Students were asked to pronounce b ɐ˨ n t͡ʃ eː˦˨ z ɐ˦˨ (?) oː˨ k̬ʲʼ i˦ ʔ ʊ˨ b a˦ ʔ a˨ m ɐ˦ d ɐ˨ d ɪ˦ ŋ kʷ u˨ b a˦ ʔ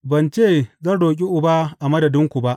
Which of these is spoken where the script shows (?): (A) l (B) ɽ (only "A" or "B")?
B